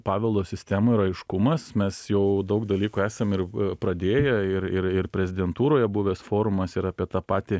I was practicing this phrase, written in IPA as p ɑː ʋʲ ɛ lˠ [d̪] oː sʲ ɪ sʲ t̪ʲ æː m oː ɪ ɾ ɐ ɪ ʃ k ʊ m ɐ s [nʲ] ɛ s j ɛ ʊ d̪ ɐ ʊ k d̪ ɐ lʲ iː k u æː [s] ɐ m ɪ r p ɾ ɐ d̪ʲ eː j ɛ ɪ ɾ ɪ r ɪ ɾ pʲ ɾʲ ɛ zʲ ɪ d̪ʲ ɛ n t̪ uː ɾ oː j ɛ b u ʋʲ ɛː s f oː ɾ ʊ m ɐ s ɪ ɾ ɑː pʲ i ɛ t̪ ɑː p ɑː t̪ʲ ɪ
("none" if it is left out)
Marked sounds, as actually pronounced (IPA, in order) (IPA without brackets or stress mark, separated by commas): d̪, mʲ, s